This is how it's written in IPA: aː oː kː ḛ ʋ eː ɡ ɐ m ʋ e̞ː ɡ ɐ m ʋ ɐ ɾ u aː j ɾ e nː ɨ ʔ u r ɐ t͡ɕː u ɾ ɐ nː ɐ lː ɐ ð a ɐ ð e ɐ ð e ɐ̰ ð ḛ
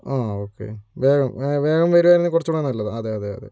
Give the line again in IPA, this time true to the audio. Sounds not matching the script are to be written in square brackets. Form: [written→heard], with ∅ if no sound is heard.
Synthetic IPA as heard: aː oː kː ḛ ʋ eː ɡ ɐ m ʋ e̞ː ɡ ɐ m ʋ ɐ ɾ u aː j ɾ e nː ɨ [ʔ→k] u r ɐ t͡ɕː u [ɾ→ɽ] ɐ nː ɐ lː ɐ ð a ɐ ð e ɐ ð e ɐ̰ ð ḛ